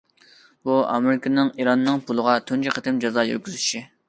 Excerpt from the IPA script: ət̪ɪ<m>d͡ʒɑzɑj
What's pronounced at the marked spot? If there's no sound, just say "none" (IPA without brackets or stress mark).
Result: m